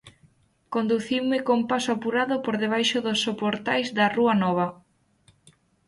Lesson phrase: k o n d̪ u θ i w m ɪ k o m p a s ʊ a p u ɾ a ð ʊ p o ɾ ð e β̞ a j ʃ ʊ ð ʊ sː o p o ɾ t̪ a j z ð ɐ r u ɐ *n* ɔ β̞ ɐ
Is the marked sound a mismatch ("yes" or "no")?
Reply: no